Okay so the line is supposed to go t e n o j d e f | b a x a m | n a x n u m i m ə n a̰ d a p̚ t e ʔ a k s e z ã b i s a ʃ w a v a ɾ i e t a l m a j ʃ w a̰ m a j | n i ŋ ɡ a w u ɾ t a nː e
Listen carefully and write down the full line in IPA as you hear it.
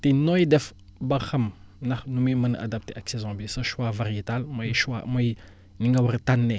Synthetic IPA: t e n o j d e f | b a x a m | n a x n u m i m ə n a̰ d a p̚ t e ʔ a k s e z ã b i s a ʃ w a v a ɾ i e t a l m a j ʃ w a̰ m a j | n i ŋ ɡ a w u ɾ t a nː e

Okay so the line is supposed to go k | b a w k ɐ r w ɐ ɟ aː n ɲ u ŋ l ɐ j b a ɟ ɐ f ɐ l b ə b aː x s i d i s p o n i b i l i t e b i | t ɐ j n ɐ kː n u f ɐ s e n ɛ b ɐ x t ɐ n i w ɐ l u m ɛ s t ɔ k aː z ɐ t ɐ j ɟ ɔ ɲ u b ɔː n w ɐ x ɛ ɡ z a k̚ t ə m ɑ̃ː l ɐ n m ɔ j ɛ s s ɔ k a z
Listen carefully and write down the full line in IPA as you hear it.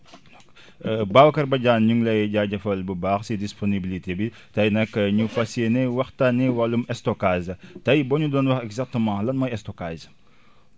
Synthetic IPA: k | b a w k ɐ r b ɐ ɟ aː n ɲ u ŋ l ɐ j ɟ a ɟ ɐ f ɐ l b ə b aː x s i d i s p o n i b i l i t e b i | t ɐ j n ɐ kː ɲ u f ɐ s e n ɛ w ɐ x t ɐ n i w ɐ l u m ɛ s t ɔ k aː z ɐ t ɐ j b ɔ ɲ u d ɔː n w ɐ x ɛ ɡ z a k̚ t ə m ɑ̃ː l ɐ n m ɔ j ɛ s t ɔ k a z

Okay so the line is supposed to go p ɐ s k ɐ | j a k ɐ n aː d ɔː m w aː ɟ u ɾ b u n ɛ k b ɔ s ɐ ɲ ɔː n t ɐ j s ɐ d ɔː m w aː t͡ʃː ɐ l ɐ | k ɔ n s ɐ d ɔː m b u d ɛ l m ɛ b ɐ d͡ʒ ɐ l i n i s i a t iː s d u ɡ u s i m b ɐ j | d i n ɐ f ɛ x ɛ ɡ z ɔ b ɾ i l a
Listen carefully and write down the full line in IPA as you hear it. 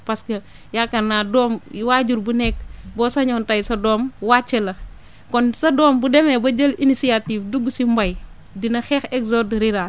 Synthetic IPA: p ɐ s k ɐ | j a k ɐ n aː d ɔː m w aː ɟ u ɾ b u n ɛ k b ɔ s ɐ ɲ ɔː n t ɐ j s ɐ d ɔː m w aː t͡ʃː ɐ l ɐ | k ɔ n s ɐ d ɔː m b u d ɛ m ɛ b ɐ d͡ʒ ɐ l i n i s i a t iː f d u ɡ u s i m b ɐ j | d i n ɐ x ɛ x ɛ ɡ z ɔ d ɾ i ɾ a

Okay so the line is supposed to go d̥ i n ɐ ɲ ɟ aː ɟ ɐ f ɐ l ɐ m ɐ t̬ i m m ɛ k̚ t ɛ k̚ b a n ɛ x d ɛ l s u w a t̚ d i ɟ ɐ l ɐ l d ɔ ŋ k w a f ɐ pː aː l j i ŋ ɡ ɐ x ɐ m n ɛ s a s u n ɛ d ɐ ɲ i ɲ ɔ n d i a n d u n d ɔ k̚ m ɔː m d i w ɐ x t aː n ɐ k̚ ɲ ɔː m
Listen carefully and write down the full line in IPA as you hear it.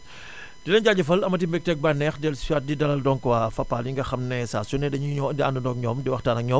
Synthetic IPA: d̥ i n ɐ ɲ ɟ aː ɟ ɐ f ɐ l ɐ m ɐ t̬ i m b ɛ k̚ t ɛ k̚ b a n ɛ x d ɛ l s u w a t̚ d i d ɐ l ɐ l d ɔ ŋ k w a f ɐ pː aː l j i ŋ ɡ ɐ x ɐ m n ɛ s a s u n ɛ d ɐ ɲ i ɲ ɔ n d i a n d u n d ɔ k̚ ɲ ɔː m d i w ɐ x t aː n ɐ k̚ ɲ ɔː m

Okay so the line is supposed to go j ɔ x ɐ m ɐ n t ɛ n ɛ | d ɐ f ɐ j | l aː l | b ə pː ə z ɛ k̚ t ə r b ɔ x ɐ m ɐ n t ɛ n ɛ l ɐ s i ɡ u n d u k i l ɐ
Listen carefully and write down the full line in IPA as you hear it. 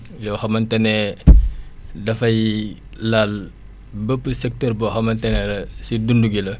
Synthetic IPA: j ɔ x ɐ m ɐ n t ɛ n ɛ | d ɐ f ɐ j | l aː l | b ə pː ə s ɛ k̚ t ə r b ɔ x ɐ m ɐ n t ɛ n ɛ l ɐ s i d u n d u ɡ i l ɐ

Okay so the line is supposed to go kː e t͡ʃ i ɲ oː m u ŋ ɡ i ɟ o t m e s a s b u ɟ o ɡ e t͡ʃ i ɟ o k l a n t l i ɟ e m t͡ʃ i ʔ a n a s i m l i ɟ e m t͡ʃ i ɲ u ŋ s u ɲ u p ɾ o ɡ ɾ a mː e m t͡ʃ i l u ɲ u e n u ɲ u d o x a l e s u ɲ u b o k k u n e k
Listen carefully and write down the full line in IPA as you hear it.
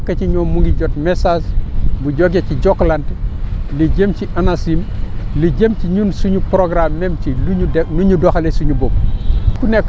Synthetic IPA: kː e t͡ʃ i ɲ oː m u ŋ ɡ i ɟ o t m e s a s b u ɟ o ɡ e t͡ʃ i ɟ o k l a n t l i ɟ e m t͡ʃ i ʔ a n a s i m l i ɟ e m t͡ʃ i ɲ u n s u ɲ u p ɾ o ɡ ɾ a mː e m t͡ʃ i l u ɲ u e n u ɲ u d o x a l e s u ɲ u b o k k u n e k

